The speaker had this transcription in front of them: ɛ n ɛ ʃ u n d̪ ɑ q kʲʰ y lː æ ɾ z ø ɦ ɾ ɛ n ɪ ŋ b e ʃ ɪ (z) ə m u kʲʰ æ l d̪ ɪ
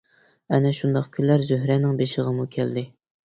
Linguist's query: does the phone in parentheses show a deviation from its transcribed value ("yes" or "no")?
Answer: yes